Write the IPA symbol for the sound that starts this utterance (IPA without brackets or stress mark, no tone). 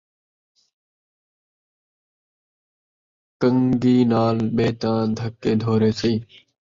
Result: k